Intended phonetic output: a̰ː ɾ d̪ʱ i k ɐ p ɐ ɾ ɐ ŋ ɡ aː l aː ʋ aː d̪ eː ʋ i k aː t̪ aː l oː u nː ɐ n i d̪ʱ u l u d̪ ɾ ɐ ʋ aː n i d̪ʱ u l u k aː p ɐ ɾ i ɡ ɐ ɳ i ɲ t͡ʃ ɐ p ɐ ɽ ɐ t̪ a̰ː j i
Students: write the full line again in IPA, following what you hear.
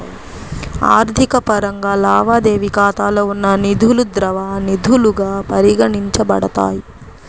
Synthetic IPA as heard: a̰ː ɾ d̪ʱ i k ɐ p ɐ ɾ ɐ ŋ ɡ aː l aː ʋ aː d̪ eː ʋ i k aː t̪ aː l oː u nː ɐ n i d̪ʱ u l u d̪ ɾ ɐ ʋ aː n i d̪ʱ u l u ɡ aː p ɐ ɾ i ɡ ɐ ɳ i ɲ t͡ʃ ɐ b ɐ ɽ ɐ t̪ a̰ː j i